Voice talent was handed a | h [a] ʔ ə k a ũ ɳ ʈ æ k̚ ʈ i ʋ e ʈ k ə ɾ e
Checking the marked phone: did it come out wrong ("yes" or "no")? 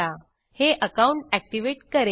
yes